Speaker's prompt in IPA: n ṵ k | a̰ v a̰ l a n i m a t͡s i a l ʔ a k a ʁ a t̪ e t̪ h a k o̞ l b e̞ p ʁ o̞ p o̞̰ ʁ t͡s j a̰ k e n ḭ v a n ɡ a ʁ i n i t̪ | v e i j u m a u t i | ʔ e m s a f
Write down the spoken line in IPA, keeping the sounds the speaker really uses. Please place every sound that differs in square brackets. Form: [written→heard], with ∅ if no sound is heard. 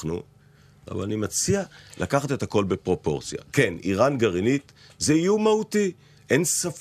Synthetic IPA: n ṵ [k→∅] | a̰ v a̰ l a n i m a t͡s i a l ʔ a k a [ʁ→χ] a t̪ e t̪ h a k o̞ l b e̞ p ʁ o̞ p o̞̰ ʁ t͡s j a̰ k e n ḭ [v→ʁ] a n ɡ a ʁ i n i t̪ | [v→z] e i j u m a u t i | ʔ e [m→n] s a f